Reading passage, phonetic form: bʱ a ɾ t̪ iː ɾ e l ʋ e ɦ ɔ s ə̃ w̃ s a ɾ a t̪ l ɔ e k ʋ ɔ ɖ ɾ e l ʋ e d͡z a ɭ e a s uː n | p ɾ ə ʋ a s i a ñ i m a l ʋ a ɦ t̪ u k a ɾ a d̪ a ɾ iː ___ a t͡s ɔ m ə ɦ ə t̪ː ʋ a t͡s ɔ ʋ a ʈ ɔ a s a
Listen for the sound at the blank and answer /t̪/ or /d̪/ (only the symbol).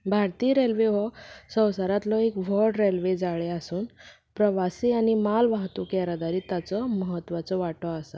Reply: t̪